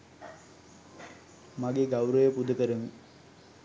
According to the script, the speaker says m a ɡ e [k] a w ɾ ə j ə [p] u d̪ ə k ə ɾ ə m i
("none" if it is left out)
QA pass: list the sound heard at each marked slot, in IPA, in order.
ɡ, p

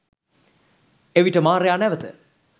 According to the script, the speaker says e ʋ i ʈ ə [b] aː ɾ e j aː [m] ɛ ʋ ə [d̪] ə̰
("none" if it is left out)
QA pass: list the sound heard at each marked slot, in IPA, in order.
m, n, t̪

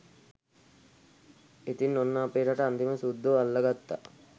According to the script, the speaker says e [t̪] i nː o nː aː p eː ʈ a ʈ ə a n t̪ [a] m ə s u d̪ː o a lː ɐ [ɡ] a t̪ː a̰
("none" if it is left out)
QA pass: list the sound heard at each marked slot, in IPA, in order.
t̪, i, ɡ

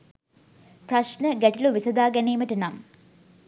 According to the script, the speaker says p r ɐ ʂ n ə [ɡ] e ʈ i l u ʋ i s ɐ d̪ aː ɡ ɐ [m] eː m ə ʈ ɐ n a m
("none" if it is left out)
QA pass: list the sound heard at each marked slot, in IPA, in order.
ɡ, n

